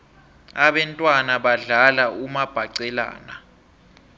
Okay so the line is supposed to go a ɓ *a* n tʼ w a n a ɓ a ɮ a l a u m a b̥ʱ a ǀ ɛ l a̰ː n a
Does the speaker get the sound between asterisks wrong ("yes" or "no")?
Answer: yes